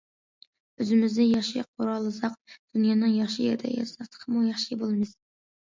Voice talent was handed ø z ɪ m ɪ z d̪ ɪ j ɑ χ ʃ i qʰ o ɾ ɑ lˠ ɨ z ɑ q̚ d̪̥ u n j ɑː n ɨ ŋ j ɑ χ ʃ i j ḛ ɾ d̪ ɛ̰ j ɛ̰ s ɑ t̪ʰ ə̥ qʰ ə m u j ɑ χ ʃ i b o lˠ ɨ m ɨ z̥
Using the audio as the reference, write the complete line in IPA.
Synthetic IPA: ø z ɪ m ɪ z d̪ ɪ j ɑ χ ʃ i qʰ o ɾ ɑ lˠ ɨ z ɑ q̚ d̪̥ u n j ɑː n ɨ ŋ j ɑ χ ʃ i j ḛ ɾ d̪ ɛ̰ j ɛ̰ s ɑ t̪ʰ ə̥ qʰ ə m u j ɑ χ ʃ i b o lˠ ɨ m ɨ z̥